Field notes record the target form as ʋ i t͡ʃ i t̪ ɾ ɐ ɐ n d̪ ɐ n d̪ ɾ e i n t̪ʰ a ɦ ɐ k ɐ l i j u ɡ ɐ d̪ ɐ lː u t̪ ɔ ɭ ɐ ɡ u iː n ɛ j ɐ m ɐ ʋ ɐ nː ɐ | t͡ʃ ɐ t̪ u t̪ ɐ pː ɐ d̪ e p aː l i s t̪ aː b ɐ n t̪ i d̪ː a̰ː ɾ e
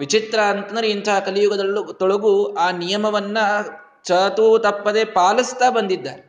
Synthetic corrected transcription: ʋ i t͡ʃ i t̪ ɾ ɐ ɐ n t̪ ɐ n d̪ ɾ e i n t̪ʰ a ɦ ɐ k ɐ l i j u ɡ ɐ d̪ ɐ lː u t̪ ɔ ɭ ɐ ɡ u aː n i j ɐ m ɐ ʋ ɐ nː ɐ | t͡ʃ ɐ t̪ u t̪ ɐ pː ɐ d̪ e p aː l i s t̪ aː b ɐ n d̪ i d̪ː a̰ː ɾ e